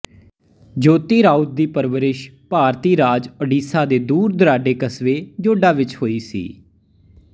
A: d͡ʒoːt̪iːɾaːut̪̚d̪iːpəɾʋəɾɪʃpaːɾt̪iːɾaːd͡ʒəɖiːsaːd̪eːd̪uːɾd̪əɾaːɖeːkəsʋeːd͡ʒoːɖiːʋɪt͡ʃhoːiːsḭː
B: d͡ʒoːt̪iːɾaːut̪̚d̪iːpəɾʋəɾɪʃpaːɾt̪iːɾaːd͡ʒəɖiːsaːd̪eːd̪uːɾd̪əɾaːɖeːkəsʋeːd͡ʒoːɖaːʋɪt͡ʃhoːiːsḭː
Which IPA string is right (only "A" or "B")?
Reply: B